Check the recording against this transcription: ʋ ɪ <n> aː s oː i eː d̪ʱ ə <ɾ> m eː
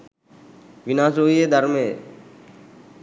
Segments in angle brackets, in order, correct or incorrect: correct, correct

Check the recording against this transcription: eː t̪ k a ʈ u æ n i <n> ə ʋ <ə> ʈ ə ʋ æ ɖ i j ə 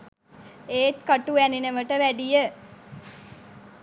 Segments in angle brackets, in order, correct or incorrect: correct, correct

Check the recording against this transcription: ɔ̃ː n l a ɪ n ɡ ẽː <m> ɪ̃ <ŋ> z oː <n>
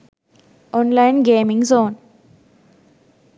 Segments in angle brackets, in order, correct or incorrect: correct, correct, correct

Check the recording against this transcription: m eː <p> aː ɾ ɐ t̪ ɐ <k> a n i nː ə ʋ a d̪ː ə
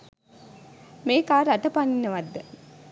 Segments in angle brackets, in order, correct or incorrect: incorrect: k, incorrect: p

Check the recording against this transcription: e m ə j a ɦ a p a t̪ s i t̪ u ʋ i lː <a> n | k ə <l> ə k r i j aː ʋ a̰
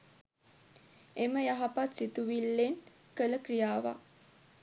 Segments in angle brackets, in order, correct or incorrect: incorrect: e, correct

